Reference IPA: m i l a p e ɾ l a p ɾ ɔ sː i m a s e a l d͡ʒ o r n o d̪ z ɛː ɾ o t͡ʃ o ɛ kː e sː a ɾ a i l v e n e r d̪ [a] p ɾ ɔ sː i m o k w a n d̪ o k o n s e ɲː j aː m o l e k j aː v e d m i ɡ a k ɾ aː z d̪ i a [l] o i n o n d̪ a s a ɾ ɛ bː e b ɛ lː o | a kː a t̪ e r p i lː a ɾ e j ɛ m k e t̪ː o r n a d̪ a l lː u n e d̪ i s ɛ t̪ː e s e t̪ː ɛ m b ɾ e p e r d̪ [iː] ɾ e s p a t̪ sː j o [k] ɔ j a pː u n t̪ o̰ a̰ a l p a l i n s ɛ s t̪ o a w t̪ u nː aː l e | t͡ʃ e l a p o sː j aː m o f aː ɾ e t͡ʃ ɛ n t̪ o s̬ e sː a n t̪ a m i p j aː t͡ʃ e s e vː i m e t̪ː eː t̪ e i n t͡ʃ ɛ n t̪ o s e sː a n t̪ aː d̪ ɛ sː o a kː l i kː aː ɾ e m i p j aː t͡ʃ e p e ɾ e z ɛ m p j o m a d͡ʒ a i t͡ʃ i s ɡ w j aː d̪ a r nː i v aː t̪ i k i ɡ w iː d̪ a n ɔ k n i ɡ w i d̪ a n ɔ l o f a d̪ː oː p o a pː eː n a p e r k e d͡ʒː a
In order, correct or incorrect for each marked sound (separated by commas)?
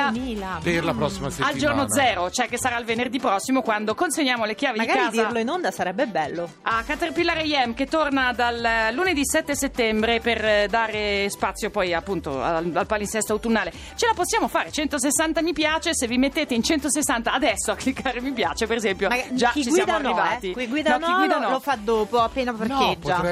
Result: incorrect, correct, incorrect, incorrect